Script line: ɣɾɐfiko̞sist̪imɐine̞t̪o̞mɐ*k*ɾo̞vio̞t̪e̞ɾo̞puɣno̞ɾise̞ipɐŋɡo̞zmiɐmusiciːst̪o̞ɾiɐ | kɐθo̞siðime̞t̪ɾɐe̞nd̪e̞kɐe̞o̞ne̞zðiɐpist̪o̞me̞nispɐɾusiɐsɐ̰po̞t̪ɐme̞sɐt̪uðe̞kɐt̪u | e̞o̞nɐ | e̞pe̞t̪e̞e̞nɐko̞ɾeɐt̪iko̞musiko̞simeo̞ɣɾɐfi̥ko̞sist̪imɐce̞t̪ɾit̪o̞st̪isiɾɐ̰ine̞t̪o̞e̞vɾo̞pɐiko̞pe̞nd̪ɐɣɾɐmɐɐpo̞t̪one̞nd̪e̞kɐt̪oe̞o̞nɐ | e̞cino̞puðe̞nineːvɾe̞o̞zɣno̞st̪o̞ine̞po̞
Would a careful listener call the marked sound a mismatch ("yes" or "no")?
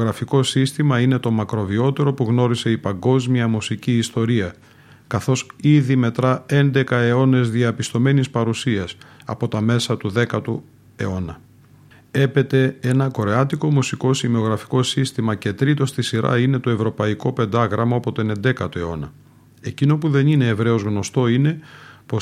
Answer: no